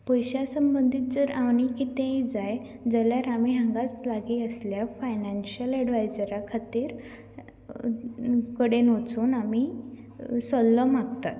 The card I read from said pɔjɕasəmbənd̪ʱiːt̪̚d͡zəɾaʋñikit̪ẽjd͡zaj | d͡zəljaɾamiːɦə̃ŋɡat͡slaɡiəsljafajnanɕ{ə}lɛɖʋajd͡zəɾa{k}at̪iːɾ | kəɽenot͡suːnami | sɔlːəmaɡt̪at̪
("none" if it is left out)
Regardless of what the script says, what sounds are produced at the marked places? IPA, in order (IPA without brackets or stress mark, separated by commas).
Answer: ə, kʰ